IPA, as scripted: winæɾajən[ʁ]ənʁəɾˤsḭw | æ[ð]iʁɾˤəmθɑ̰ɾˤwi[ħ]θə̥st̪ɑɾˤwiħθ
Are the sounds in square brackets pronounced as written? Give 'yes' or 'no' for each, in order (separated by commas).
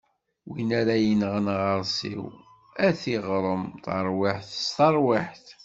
yes, no, yes